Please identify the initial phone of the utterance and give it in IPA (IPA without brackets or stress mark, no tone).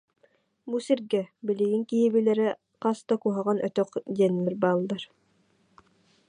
b